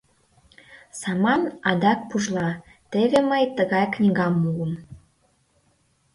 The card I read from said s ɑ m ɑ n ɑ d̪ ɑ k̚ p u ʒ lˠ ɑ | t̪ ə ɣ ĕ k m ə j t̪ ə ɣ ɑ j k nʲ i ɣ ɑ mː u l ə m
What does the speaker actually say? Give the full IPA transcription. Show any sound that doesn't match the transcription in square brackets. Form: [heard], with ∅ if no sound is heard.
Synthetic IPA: s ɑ m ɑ n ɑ d̪ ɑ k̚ p u ʒ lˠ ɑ | t̪ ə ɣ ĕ [∅] m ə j t̪ ə ɣ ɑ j k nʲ i ɣ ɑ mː u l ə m

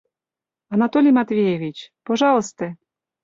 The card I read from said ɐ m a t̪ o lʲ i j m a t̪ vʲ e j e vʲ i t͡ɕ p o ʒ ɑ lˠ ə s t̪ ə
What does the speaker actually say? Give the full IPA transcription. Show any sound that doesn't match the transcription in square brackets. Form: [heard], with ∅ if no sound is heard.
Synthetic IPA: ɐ [n] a t̪ o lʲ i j m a t̪ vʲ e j e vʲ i t͡ɕ p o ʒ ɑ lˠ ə s t̪ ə

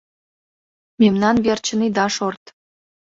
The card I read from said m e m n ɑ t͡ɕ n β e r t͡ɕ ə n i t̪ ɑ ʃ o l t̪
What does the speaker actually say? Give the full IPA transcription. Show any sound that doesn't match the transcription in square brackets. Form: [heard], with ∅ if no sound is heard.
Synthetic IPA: m e m n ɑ [∅] n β e r t͡ɕ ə n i [d̪] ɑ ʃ o [r] t̪

